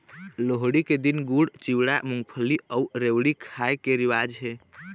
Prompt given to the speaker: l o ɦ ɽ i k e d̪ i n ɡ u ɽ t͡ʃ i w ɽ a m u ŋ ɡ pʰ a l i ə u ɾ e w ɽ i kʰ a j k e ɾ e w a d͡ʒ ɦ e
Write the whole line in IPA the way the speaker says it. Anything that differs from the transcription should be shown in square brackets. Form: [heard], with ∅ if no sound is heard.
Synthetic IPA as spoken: l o ɦ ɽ i k e d̪ i n ɡ u ɽ t͡ʃ i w ɽ a m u ŋ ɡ pʰ [ə] l i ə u ɾ e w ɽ i kʰ a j k e ɾ [i] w a d͡ʒ ɦ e